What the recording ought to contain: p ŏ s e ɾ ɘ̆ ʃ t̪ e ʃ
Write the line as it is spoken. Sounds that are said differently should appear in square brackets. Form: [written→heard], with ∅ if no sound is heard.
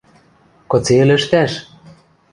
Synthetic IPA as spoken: [p→k] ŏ [s→t͡s] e [ɾ→l] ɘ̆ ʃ t̪ [e→æ] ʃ